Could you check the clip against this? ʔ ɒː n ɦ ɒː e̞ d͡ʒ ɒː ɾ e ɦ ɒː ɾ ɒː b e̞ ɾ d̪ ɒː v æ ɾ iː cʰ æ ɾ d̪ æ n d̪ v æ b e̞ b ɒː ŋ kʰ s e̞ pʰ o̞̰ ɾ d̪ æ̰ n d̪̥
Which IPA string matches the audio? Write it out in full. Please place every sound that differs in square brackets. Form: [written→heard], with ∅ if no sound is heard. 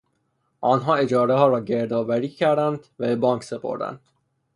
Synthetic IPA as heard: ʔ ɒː n ɦ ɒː e̞ d͡ʒ ɒː ɾ e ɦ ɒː ɾ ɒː [b→ɟ] e̞ ɾ d̪ ɒː v æ ɾ iː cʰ æ ɾ d̪ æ n d̪ v æ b e̞ b ɒː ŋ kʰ s e̞ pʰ o̞̰ ɾ d̪ æ̰ n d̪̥